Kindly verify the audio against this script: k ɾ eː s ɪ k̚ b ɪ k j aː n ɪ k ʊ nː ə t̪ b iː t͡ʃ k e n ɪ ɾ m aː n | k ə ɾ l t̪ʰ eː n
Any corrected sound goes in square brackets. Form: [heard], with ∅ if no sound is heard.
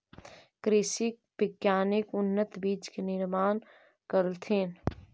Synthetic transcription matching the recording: k ɾ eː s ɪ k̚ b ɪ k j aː n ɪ k ʊ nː ə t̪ b iː t͡ʃ k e n ɪ ɾ m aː n | k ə ɾ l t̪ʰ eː n

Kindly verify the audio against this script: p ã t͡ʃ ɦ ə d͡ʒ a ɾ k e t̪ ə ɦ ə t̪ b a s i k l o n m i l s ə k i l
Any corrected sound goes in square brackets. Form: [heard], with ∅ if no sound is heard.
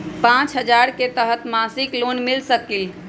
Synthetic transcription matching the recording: p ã t͡ʃ ɦ ə d͡ʒ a ɾ k e t̪ ə ɦ ə t̪ [m] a s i k l o n m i l s ə k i l

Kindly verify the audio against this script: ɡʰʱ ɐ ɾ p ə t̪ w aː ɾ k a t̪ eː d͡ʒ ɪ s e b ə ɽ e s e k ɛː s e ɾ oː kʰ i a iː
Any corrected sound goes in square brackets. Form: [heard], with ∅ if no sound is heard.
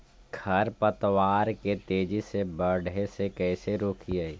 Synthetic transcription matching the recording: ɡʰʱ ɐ ɾ p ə t̪ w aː ɾ k [e] t̪ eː d͡ʒ [i] s e b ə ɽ e s e k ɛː s e ɾ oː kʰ i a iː

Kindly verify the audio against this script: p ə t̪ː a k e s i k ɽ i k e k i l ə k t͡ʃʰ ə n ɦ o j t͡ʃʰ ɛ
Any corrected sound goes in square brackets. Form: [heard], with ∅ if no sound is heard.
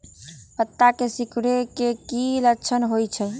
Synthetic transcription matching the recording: p ə t̪ː a k e s i k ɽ [e] k e k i l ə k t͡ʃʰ ə n ɦ o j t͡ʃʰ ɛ

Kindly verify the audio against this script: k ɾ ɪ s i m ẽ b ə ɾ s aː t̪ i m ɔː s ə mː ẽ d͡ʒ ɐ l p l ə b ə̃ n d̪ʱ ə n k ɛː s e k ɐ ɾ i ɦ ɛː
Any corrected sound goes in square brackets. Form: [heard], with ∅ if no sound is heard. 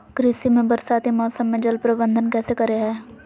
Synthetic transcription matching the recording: k ɾ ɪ s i m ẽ b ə ɾ s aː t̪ i m ɔː s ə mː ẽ d͡ʒ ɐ l p [ɾ] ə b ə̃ n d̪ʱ ə n k ɛː s e k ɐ ɾ [e] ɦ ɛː

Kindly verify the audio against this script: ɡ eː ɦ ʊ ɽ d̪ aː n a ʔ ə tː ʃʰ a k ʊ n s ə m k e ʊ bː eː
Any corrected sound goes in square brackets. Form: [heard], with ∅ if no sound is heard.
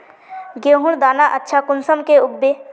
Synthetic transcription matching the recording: ɡ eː ɦ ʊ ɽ d̪ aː n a ʔ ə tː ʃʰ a k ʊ n s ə m k e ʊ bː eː

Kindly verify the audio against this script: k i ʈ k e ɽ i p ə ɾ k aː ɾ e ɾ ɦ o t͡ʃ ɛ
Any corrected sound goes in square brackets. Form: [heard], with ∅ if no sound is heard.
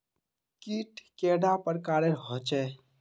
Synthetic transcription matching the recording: k i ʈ k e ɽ [a] p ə ɾ k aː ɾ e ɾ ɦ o t͡ʃ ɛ

